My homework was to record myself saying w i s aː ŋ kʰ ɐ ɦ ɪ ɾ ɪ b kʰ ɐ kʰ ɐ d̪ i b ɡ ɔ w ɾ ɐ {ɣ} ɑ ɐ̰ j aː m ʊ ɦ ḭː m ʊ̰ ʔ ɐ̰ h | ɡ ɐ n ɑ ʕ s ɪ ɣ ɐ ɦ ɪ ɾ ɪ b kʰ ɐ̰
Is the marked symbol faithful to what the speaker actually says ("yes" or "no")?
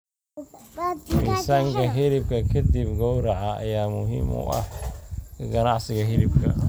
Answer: no